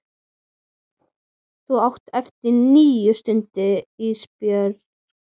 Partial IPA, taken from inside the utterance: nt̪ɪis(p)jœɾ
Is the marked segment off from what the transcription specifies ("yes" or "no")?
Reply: no